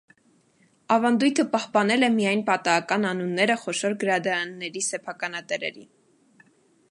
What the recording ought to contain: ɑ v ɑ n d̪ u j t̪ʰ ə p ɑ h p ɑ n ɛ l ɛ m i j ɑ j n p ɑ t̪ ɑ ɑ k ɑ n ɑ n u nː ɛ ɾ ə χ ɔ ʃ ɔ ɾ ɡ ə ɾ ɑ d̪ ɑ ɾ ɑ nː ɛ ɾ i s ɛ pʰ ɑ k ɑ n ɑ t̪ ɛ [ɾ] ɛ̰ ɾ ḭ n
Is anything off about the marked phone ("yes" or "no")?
no